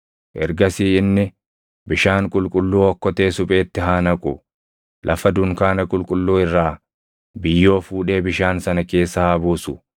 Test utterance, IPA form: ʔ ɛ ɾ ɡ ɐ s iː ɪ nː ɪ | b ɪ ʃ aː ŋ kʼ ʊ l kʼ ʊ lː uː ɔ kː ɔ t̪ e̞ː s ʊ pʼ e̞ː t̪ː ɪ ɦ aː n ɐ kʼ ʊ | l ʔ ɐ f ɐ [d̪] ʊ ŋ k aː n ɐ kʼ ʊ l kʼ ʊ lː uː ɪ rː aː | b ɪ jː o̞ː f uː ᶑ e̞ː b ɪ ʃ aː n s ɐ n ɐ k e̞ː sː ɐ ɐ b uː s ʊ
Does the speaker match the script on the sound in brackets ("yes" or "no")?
yes